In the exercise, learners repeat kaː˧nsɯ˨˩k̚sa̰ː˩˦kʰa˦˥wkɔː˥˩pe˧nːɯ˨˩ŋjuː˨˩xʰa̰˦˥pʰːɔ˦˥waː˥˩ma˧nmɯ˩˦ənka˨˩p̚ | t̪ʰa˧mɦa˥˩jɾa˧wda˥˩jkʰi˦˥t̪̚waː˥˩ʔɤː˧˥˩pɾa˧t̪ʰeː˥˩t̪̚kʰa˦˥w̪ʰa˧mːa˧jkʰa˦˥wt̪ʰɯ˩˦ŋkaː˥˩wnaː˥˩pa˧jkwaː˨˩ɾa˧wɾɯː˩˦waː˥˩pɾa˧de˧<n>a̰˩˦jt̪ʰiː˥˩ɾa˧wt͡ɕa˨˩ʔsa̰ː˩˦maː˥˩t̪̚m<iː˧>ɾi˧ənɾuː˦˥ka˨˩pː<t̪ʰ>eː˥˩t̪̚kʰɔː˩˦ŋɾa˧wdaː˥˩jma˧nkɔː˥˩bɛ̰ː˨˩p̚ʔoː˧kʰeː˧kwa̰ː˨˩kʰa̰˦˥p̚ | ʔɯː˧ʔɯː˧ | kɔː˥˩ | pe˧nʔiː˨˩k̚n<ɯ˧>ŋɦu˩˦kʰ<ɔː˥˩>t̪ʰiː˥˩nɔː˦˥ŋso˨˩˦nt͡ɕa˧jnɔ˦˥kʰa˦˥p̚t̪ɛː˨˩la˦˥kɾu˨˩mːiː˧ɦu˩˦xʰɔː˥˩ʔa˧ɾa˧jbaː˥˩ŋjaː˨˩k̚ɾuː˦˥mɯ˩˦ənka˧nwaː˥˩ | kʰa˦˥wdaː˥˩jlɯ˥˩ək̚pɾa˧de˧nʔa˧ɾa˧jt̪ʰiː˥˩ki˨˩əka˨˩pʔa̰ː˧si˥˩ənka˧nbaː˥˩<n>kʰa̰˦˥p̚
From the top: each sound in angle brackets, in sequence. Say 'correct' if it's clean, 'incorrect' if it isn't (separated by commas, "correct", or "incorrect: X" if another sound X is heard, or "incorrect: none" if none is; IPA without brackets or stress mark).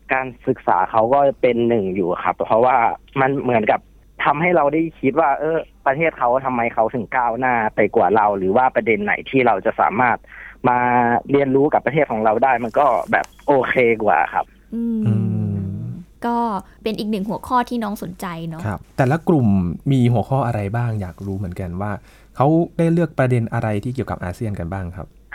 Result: incorrect: nː, incorrect: aː˧, correct, incorrect: ɯ˨˩, correct, incorrect: ŋ